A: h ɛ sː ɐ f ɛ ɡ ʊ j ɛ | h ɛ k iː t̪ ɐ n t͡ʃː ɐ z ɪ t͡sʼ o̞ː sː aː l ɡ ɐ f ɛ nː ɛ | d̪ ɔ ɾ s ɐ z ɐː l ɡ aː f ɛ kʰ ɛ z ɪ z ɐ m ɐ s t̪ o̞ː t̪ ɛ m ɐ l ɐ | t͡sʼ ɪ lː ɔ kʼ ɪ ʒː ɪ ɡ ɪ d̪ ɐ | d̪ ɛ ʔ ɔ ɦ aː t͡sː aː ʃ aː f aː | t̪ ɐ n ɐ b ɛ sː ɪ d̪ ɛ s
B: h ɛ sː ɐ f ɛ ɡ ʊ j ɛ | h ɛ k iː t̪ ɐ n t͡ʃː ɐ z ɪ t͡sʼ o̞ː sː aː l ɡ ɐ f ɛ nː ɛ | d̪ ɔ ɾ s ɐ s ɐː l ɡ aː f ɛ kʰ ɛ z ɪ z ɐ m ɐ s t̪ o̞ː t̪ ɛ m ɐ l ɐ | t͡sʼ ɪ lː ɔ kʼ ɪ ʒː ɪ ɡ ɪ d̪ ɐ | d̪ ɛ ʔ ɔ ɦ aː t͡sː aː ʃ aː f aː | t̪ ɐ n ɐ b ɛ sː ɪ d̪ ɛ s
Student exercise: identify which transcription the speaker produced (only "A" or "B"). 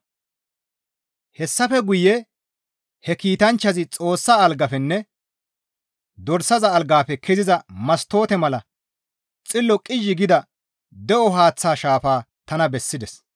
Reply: A